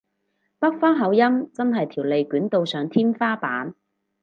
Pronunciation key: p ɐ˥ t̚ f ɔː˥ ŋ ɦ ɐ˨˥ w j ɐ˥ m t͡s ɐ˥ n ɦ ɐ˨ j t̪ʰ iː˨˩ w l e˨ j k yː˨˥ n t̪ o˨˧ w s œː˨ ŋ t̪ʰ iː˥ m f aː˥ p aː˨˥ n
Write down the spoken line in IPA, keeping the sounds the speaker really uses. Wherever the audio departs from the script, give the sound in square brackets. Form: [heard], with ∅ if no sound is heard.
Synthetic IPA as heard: p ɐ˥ [k̚] f ɔː˥ ŋ ɦ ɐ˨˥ w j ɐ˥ m t͡s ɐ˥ n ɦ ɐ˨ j t̪ʰ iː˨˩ w l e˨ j k yː˨˥ n t̪ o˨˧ w s œː˨ ŋ t̪ʰ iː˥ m f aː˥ p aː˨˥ n